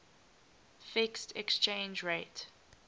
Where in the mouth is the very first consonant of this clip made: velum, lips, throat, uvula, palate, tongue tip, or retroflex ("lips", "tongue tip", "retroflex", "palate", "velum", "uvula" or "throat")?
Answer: lips